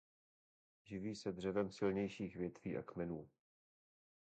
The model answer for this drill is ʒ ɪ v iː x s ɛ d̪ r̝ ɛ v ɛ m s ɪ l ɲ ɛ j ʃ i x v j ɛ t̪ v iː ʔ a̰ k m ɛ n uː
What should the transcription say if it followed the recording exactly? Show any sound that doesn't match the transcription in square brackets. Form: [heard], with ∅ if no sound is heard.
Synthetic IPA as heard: ʒ ɪ v iː [∅] s ɛ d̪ r̝ ɛ v ɛ m s ɪ l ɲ ɛ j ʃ [iː] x v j ɛ t̪ v iː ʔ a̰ k m ɛ n uː